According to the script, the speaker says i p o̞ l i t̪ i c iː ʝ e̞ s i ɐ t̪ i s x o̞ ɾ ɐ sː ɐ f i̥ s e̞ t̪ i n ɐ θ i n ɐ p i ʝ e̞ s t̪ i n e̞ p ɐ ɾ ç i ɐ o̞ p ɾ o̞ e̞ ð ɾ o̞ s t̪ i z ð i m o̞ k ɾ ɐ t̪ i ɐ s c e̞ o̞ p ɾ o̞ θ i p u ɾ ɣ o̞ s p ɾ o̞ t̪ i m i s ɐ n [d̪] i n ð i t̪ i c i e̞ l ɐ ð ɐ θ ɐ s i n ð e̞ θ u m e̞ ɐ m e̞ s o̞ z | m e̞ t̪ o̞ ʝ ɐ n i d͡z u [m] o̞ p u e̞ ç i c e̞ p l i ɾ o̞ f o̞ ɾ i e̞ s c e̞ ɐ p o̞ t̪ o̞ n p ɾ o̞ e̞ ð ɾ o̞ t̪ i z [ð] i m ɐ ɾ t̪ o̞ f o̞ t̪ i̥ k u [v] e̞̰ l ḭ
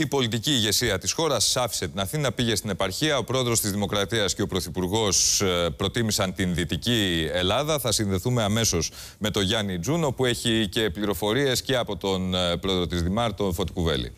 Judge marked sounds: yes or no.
no, no, yes, yes

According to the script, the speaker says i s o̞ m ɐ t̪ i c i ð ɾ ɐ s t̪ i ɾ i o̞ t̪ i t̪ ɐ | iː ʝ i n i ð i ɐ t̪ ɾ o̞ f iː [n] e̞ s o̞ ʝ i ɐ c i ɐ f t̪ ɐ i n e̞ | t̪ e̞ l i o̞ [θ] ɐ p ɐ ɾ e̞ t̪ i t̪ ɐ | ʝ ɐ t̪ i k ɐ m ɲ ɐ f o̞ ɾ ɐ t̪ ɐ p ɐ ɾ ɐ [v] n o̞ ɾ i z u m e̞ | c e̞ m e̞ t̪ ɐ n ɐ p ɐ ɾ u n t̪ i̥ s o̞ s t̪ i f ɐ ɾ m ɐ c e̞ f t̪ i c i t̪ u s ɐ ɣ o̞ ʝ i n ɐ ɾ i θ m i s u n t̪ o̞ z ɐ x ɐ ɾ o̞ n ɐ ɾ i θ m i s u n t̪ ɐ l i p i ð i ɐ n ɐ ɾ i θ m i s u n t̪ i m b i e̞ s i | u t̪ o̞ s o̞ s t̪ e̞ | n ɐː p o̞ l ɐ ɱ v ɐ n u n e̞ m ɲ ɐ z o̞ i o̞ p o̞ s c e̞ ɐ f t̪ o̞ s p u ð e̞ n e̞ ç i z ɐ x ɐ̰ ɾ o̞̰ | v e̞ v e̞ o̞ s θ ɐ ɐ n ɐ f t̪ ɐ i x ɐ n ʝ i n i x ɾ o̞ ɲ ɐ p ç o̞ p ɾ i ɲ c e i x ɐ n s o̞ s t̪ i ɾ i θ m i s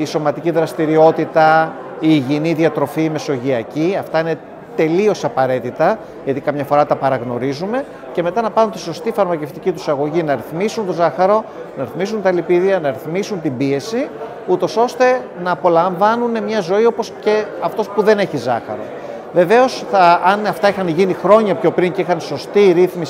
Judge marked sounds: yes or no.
no, no, no

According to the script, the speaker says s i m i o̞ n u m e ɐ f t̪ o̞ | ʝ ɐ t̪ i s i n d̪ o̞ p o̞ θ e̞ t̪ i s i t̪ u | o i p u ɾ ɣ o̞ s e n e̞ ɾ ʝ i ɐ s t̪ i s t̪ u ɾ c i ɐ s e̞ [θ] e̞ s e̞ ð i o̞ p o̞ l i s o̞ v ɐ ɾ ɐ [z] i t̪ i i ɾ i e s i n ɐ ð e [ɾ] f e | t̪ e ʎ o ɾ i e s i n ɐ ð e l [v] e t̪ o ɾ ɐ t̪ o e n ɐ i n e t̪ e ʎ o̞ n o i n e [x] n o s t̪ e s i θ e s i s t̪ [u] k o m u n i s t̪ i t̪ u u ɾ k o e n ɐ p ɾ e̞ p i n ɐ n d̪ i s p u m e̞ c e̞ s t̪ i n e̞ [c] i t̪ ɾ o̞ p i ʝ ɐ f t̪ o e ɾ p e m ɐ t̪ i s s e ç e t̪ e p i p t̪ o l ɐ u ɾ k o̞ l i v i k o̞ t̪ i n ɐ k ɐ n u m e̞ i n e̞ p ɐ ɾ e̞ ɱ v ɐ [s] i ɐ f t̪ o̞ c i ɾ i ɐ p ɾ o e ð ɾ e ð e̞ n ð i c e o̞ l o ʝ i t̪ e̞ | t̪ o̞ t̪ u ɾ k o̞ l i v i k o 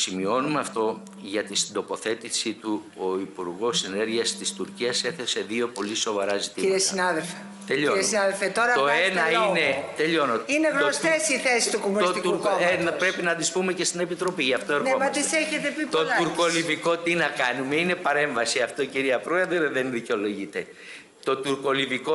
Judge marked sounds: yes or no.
yes, yes, no, no, no, yes, no, yes

